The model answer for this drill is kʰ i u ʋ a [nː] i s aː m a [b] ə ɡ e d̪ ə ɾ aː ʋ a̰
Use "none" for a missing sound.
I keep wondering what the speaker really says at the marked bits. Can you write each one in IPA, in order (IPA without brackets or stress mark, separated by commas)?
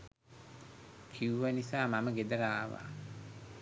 n, m